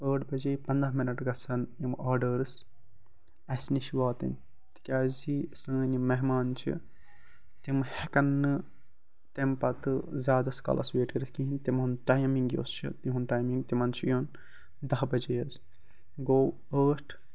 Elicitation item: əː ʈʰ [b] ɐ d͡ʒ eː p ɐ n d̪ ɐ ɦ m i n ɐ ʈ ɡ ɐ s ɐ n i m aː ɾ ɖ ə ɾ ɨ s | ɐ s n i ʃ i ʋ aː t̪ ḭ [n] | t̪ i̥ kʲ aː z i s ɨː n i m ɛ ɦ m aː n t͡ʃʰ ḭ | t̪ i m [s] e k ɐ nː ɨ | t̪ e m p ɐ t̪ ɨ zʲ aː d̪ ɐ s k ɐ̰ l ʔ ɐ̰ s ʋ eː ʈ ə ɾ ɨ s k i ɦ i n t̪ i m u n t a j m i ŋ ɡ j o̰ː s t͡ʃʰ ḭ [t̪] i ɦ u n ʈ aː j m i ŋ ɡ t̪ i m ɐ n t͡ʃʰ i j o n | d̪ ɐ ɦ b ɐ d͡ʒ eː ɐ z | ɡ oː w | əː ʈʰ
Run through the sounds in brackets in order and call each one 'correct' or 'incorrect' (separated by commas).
correct, correct, incorrect, correct